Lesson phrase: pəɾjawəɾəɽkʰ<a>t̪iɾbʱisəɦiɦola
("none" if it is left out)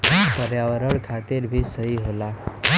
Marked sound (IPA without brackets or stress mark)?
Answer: a